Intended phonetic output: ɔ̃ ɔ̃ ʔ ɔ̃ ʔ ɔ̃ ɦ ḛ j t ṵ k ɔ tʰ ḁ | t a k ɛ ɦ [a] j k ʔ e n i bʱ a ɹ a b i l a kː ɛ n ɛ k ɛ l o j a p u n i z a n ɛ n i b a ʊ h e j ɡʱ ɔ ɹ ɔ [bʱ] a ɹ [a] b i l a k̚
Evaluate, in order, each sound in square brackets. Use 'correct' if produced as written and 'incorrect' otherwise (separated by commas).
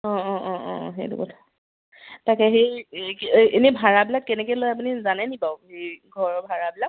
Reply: incorrect, correct, correct